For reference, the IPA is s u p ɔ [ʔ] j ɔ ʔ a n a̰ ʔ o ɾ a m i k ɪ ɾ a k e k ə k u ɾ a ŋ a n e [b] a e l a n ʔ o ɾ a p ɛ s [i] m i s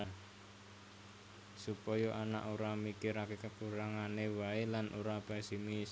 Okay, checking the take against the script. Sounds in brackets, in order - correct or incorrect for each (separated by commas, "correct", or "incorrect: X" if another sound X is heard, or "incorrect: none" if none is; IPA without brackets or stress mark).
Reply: incorrect: none, incorrect: w, correct